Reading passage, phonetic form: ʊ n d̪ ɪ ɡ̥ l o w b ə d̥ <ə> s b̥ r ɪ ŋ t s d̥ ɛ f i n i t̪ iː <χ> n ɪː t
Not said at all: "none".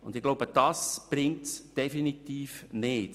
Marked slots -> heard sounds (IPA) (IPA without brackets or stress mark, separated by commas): ɑ, f